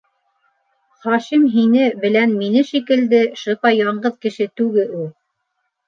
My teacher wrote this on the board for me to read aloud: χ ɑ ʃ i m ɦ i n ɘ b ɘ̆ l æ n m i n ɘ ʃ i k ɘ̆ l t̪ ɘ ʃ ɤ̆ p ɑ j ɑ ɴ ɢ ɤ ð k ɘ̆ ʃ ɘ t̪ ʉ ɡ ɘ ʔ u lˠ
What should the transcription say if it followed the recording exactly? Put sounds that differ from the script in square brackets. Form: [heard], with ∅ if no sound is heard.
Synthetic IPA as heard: χ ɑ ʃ i m ɦ i n ɘ b ɘ̆ l æ n m i n ɘ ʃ i k ɘ̆ l [d̪] ɘ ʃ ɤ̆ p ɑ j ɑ ɴ ɢ ɤ ð k ɘ̆ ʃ ɘ t̪ ʉ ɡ ɘ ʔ u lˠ